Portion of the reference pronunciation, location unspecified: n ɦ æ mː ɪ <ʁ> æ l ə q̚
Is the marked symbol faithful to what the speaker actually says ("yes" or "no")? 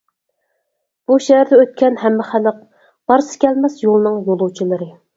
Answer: no